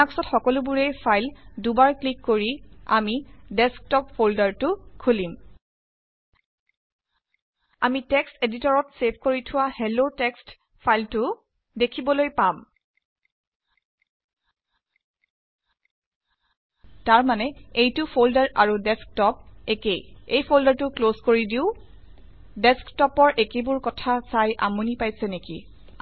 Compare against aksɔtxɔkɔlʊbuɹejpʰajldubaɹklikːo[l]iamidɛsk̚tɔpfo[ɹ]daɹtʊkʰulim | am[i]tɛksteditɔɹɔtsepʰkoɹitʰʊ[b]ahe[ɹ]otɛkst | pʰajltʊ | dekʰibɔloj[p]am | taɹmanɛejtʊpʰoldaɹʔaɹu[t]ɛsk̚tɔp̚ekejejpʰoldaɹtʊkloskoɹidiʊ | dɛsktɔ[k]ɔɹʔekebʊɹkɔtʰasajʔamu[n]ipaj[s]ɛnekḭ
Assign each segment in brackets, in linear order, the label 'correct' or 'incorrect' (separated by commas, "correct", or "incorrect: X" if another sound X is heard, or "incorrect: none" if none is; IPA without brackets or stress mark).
incorrect: ɹ, incorrect: l, correct, incorrect: w, incorrect: l, correct, incorrect: d, incorrect: p, correct, correct